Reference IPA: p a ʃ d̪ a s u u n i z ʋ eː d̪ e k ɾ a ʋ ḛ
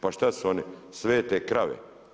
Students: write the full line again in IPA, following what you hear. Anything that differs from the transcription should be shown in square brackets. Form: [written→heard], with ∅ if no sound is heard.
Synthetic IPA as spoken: p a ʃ [d̪→t̪] a s u [u→o] n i [z→s] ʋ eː [d̪→t̪] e k ɾ a ʋ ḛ